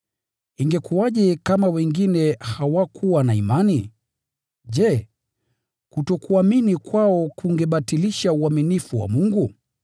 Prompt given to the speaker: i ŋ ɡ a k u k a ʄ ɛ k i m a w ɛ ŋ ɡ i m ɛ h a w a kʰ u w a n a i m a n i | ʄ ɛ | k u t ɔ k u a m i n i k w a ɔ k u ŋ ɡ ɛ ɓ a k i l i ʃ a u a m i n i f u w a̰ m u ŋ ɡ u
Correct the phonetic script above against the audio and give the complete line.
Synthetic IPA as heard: i ŋ ɡ ɛ k u a ʄ ɛ k a m a w ɛ ŋ ɡ i n ɛ h a w a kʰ u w a n a i m a n i | ʄ ɛ | k u t ɔ k u a m i n i k w a ɔ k u ŋ ɡ ɛ ɓ a t i l i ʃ a u a m i n i f u w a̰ m u ŋ ɡ u

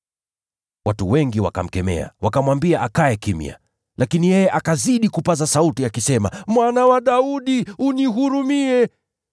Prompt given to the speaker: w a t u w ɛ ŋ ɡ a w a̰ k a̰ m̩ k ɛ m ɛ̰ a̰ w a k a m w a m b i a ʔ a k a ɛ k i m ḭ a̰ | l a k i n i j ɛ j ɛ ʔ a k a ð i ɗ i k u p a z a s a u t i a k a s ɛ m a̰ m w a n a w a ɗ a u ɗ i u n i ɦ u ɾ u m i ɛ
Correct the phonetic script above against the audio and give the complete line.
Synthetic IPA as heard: w a t u w ɛ ŋ ɡ i w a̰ k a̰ m̩ k ɛ m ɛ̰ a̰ w a k a m w a m b i a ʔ a k a ɛ k i m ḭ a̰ | l a k i n i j ɛ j ɛ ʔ a k a z i ɗ i k u p a z a s a u t i a k i s ɛ m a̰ m w a n a w a ɗ a u ɗ i u n i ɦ u ɾ u m i ɛ

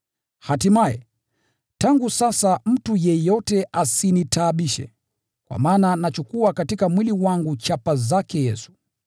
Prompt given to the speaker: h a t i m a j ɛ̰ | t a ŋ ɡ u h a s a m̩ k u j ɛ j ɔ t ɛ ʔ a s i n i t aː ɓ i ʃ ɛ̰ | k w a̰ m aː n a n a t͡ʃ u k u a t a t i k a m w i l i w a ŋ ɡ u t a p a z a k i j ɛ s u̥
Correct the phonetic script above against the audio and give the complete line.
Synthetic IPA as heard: h a t i m a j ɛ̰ | t a ŋ ɡ u s a s a m̩ t u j ɛ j ɔ t ɛ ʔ a s i n i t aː ɓ i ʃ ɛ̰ | k w a̰ m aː n a n a t͡ʃ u k u a k a t i k a m w i l i w a ŋ ɡ u t͡ʃ a p a z a k ɛ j ɛ s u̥

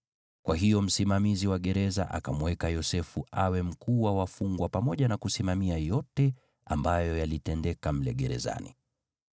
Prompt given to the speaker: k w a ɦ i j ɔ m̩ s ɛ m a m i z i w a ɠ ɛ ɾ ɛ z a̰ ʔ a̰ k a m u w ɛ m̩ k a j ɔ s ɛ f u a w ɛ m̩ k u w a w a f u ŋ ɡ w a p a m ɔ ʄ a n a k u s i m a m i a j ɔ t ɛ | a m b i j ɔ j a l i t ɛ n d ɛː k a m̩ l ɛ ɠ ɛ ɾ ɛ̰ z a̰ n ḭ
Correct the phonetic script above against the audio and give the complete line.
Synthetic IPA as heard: k w a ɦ i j ɔ m̩ s i m a m i z i w a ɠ ɛ ɾ ɛ z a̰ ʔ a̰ k a m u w ɛ k a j ɔ s ɛ f u a w ɛ m̩ k u w a w a f u ŋ ɡ w a p a m ɔ ʄ a n a k u s i m a m i a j ɔ t ɛ | a m b a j ɔ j a l i t ɛ n d ɛ k a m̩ l ɛ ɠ ɛ ɾ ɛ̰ z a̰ n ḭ

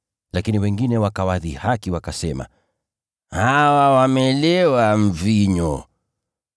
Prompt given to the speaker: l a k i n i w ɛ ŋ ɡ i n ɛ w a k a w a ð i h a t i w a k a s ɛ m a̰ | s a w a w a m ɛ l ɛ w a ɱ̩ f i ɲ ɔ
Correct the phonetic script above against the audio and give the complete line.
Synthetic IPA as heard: l a k i n i w ɛ ŋ ɡ i n ɛ w a k a w a ð i h a k i w a k a s ɛ m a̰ | h a w a w a m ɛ l ɛ w a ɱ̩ v i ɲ ɔ

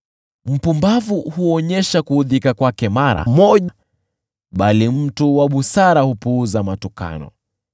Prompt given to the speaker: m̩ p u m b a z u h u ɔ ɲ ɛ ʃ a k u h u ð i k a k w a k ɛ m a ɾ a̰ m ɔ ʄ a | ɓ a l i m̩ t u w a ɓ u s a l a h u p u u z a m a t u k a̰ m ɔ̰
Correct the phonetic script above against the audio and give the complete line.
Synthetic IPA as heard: m̩ p u m b a v u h u ɔ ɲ ɛ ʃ a k u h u ð i k a k w a k ɛ m a ɾ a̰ m ɔ ʄ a | ɓ a l i m̩ t u w a ɓ u s a ɾ a h u p u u z a m a t u k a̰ n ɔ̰

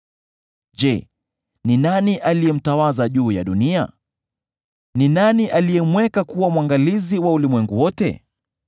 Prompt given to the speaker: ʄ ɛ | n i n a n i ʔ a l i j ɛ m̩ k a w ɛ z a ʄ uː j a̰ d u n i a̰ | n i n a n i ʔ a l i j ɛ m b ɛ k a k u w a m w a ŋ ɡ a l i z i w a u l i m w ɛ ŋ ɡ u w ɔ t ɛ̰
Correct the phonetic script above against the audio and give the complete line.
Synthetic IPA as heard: ʄ ɛ | n i n a n i ʔ a l i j ɛ m̩ t a w a z a ʄ uː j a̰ ɗ u n i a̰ | n i n a n i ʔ a l i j ɛ m w ɛ k a k u w a m w a ŋ ɡ a l i z i w a u l i m w ɛ ŋ ɡ u w ɔ t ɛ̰

